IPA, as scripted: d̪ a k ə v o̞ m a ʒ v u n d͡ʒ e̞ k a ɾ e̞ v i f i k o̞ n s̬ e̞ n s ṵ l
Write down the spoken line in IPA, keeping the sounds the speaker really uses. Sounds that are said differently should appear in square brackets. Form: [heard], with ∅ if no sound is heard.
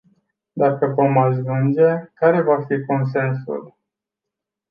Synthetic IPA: d̪ a k ə v o̞ m a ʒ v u n d͡ʒ e̞ k a ɾ e̞ v [a] f i k o̞ n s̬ e̞ n s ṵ l